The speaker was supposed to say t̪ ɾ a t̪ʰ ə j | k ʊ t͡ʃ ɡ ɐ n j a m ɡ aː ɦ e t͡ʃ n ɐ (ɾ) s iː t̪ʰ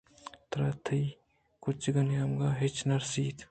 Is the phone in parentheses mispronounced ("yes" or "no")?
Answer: no